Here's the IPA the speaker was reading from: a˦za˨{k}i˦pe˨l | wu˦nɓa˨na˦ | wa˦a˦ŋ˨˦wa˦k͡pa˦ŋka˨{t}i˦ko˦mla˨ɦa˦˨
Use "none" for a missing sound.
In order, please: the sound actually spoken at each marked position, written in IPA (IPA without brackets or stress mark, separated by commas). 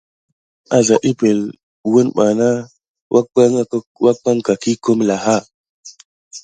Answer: ʔ, k